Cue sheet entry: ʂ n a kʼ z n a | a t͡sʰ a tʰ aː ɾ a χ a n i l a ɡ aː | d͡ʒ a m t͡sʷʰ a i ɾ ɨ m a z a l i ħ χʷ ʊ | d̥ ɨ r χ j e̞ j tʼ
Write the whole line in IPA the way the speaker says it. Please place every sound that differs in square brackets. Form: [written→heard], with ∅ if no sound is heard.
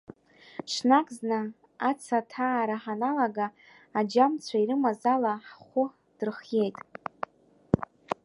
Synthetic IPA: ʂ n a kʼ z n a | a t͡sʰ a tʰ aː ɾ a [χ→ħ] a n [i→a] l a ɡ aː | d͡ʒ a m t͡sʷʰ a i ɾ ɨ m a z a l [i→a] ħ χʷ ʊ | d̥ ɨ r χ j e̞ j tʼ